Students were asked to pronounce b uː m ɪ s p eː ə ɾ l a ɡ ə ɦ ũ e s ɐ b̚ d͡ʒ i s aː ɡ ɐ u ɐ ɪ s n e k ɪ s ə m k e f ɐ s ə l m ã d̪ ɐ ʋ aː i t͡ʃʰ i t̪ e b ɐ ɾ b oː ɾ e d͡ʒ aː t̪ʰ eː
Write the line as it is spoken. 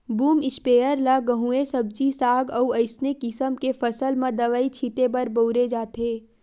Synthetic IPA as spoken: b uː m ɪ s p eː ə ɾ l a ɡ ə ɦ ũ e s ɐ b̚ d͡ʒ i s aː ɡ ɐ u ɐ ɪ s n e k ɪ s ə m k e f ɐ s ə l m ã d̪ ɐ ʋ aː i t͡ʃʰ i t̪ e b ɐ ɾ b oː ɾ e d͡ʒ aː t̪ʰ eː